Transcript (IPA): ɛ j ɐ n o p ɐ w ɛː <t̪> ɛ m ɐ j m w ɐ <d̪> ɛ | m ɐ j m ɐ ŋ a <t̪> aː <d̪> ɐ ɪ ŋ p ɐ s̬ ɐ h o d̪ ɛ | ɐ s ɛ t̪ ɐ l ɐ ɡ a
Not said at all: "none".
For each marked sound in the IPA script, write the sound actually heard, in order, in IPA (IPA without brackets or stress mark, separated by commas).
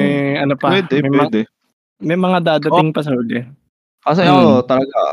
d̪, d̪, d̪, d̪